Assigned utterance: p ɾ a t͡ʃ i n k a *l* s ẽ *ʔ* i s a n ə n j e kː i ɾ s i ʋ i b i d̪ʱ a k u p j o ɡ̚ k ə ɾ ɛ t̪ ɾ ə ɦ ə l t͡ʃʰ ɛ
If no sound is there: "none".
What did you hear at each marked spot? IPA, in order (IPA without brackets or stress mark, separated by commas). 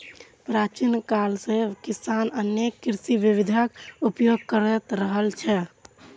l, k